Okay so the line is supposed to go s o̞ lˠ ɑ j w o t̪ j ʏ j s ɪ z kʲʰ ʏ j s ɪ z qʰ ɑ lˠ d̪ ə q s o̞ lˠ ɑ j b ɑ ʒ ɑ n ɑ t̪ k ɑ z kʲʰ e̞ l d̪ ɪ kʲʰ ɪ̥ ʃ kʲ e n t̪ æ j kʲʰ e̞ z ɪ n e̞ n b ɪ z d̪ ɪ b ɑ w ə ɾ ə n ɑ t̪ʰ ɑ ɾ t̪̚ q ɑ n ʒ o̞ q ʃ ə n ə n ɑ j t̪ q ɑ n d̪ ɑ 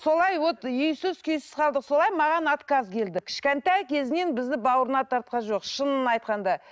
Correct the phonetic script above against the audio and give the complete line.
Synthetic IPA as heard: s o̞ lˠ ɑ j w o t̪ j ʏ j s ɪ z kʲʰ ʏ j s ɪ z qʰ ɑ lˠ d̪ ə q s o̞ lˠ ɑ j m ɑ ʁ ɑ n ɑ t̪ k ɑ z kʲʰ e̞ l d̪ ɪ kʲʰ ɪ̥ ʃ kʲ e n t̪ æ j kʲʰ e̞ z ɪ n e̞ n b ɪ z d̪ ɪ b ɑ w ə ɾ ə n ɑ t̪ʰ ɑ ɾ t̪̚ q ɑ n ʒ o̞ q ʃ ə n ə n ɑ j t̪ q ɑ n d̪ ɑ